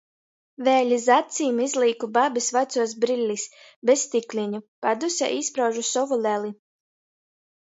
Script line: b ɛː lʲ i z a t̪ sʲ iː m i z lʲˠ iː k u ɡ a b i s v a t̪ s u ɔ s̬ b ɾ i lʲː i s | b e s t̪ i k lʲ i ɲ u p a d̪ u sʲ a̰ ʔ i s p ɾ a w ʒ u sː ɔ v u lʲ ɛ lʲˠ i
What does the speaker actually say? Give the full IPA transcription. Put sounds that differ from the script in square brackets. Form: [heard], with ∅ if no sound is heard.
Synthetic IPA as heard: [v] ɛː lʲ i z a t̪ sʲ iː m i z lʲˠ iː k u [b] a b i s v a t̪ s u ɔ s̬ b ɾ i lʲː i s | b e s t̪ i k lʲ i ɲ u p a d̪ u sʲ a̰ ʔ i s p ɾ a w ʒ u [s] ɔ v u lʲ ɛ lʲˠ i